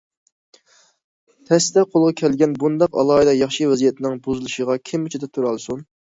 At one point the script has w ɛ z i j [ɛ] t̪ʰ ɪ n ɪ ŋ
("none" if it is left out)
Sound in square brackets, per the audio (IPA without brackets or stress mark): ɛ